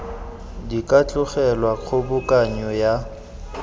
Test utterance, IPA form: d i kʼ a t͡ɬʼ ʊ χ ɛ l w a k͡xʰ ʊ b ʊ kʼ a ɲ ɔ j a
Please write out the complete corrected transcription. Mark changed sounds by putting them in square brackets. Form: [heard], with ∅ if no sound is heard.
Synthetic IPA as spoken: d i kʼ a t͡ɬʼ ʊ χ ɛ l w a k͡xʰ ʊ b ʊ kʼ a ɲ ɔ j a